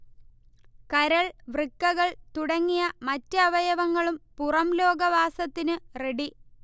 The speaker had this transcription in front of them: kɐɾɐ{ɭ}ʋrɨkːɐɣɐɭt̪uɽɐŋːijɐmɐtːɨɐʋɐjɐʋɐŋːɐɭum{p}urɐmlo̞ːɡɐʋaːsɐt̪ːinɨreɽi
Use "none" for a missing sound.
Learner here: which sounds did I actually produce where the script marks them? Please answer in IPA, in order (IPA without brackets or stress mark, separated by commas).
ɭ, p